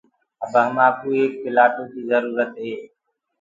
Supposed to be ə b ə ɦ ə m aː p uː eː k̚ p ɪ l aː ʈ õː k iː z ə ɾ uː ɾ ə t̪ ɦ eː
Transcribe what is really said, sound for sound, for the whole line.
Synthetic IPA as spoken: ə b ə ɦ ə m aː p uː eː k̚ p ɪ l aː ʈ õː k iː z ə ɾ uː ɾ ə t̪ ɦ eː